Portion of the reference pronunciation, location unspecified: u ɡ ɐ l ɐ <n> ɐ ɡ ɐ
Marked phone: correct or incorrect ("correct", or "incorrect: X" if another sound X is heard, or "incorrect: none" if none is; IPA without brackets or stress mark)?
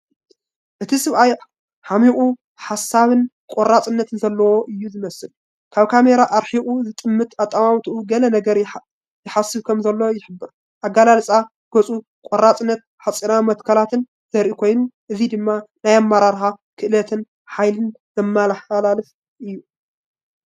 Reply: correct